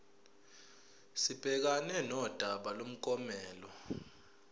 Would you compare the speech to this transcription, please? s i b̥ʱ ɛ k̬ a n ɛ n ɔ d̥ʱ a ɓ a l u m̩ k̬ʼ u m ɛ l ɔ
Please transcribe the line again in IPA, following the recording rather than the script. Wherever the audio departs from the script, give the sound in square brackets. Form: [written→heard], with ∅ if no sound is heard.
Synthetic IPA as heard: s i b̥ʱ ɛ k̬ a n ɛ n ɔ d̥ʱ a ɓ a l [u→o] m̩ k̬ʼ [u→ɔ] m [ɛ→ɛː] l ɔ

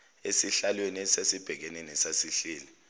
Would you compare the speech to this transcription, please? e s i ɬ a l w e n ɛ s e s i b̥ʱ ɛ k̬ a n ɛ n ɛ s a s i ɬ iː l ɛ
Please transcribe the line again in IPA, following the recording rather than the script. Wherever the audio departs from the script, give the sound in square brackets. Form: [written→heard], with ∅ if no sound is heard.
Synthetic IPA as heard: e s i ɬ a l w e n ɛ s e s i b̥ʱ ɛ k̬ [a→ɛ] n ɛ n ɛ s a s i ɬ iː l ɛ

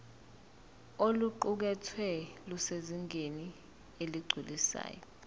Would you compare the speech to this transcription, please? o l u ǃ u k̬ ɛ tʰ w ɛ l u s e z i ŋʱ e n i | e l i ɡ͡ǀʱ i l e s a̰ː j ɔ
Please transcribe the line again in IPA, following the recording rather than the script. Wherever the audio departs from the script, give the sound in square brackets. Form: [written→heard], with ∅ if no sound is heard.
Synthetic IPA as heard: o l u ǃ u k̬ ɛ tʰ w ɛ l u s e z i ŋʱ e n i | e l i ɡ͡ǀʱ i l [e→i] s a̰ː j ɔ

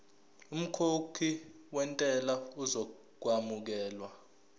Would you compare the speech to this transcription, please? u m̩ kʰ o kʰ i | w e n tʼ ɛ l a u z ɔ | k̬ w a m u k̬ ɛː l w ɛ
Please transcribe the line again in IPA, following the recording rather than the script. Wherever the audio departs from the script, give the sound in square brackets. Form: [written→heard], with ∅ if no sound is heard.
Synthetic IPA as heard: u m̩ kʰ o kʰ i | w [e→ɛ] n tʼ ɛ l a u z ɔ | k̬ w a m u k̬ ɛː l w [ɛ→a]

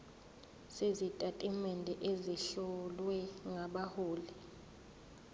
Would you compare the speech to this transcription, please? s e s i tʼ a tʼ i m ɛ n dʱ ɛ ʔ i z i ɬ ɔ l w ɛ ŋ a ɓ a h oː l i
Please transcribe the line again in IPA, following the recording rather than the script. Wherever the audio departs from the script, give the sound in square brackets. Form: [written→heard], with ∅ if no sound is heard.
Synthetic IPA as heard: s e [s→z] i tʼ a tʼ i m ɛ n dʱ ɛ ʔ [i→e] z i ɬ ɔ l w ɛ ŋ a ɓ a h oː l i

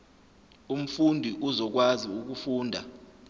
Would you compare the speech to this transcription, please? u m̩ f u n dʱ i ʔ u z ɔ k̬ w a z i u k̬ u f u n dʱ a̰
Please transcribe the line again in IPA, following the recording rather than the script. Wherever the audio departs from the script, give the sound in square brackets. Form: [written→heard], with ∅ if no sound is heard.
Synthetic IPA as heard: u m̩ f u n dʱ i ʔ u z ɔ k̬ w a z i u k̬ u f [u→uː] n dʱ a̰

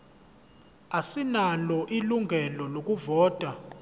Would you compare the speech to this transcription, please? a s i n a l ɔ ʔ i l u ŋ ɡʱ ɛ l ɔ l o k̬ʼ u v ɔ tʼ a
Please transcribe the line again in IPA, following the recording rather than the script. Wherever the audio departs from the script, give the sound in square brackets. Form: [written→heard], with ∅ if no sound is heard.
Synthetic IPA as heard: a s i n a l ɔ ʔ i l u ŋ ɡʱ ɛ l ɔ l o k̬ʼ u v [ɔ→ɔː] tʼ a

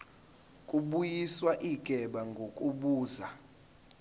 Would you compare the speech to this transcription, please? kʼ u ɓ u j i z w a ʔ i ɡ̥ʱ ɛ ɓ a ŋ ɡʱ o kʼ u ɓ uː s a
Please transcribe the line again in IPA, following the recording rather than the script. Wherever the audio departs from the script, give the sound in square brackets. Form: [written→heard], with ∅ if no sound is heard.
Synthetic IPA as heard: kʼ u ɓ u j i [z→s] w a ʔ i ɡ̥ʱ ɛ ɓ a ŋ ɡʱ o kʼ u ɓ uː [s→z] a

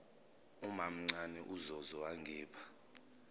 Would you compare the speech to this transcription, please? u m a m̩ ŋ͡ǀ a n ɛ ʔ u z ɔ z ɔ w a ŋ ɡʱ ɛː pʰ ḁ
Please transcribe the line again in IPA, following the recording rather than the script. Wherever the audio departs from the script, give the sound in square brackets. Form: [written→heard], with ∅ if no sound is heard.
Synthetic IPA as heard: u m a m̩ ŋ͡ǀ a n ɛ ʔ u z ɔ z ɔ w a ŋ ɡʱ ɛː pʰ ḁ

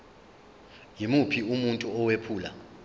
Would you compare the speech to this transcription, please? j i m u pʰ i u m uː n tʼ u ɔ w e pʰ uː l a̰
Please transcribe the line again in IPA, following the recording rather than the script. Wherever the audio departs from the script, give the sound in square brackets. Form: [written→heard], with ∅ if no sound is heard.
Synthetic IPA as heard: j i m u pʰ i u m [uː→u] n tʼ u ɔ w e pʰ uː l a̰

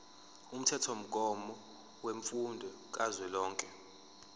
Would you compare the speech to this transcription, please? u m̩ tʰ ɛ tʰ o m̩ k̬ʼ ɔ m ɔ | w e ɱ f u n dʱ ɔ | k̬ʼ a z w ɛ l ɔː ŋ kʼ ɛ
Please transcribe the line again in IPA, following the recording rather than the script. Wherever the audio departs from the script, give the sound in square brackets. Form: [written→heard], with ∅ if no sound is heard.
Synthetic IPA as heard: u m̩ tʰ ɛ tʰ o m̩ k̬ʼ ɔ m ɔ | w e ɱ f u n dʱ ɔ | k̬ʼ a z w ɛ l ɔː ŋ kʼ ɛ

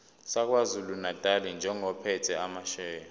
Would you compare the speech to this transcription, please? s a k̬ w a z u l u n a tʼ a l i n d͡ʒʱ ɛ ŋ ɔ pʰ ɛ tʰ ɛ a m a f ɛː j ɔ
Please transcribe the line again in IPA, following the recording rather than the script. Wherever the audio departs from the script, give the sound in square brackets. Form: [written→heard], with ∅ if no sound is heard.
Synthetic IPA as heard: s a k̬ w a z u l u n a tʼ a l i n d͡ʒʱ ɛ ŋ ɔ pʰ ɛ tʰ ɛ a m a [f→ʃ] ɛː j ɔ

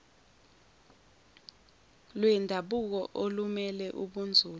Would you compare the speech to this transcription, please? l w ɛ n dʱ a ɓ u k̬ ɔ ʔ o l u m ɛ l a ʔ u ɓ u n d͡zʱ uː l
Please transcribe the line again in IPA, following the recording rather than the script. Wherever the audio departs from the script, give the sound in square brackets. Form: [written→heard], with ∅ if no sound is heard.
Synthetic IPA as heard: l w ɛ n dʱ a ɓ u k̬ ɔ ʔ o l u m ɛ l [a→ɛ] ʔ u ɓ u n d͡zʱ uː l

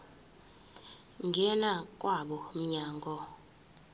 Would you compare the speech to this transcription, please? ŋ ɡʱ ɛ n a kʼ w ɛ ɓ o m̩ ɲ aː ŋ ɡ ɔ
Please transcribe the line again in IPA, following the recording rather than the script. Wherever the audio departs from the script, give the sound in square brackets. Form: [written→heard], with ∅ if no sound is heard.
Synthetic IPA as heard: ŋ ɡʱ ɛ n a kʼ w [ɛ→a] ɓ [o→ɔ] m̩ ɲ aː ŋ ɡ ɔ

